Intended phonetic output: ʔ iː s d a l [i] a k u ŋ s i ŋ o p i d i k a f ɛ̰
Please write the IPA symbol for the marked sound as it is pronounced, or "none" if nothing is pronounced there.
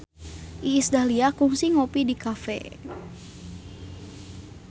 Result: i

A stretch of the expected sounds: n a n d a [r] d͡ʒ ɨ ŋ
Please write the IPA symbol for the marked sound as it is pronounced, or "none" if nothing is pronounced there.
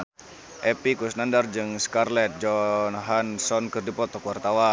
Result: r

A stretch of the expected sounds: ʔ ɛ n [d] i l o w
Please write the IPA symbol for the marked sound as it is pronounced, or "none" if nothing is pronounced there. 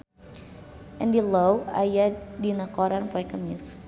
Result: d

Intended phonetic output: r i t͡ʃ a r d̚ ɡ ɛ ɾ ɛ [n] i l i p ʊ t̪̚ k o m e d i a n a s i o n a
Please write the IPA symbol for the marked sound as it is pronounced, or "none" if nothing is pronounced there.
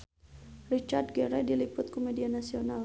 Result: d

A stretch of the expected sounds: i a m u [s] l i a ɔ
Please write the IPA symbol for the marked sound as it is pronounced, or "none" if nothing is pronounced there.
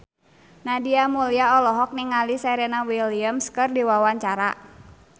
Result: none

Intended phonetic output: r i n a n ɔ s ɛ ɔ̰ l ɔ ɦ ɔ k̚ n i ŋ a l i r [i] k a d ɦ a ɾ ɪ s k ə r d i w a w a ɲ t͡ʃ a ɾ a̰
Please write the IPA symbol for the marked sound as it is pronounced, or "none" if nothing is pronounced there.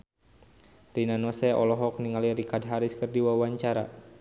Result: i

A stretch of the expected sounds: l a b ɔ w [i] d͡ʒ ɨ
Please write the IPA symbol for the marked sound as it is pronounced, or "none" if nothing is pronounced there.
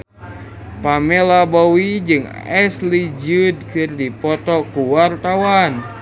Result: i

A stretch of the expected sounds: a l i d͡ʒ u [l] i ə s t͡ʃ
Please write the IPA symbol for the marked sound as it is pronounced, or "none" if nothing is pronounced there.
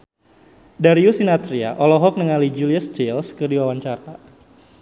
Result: l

